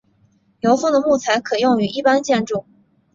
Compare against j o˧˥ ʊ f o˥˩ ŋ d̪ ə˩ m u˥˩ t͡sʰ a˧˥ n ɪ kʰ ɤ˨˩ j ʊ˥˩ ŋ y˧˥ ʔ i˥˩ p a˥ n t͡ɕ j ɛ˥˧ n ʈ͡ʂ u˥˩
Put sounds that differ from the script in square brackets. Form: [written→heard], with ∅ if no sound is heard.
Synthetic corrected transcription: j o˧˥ ʊ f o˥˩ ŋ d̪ ə˩ m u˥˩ t͡sʰ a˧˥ [n→∅] ɪ kʰ ɤ˨˩ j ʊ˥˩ ŋ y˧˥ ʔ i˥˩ p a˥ n t͡ɕ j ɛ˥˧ n ʈ͡ʂ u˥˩